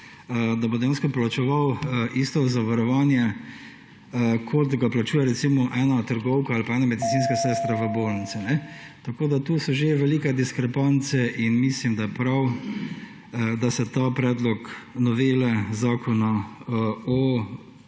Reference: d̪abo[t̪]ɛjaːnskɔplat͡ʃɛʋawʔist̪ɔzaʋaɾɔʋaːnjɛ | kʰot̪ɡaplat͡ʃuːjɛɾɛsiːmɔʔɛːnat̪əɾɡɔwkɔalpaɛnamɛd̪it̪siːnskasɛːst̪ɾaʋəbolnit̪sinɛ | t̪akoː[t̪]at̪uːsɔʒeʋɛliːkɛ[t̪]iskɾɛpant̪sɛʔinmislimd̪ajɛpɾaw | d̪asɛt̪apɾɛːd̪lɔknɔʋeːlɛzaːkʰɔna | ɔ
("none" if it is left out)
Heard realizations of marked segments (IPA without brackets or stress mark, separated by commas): d̪, d̪, d̪